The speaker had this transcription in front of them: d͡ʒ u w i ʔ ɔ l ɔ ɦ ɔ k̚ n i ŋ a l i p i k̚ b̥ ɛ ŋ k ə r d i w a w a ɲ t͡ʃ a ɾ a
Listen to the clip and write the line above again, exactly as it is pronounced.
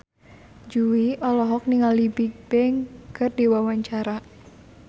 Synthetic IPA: d͡ʒ u w i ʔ ɔ l ɔ ɦ ɔ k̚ n i ŋ a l i b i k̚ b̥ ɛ ŋ k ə r d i w a w a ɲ t͡ʃ a ɾ a